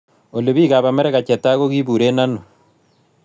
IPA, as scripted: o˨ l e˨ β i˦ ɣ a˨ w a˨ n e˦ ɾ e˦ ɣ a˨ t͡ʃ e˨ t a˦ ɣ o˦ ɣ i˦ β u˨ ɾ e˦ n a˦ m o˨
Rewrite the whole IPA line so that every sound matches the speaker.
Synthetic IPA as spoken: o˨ l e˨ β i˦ ɣ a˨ β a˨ m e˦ ɾ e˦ ɣ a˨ t͡ʃ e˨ t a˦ ɣ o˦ ɣ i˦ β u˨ ɾ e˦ n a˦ n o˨